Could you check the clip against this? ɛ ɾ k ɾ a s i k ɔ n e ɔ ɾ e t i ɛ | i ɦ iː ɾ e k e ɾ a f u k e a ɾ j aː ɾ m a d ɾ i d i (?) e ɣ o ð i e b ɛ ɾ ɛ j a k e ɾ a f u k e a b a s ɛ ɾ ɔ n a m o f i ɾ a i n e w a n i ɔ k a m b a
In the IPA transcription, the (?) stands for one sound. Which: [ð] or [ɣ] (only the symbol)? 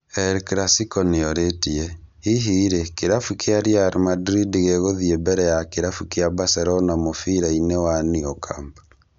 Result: ɣ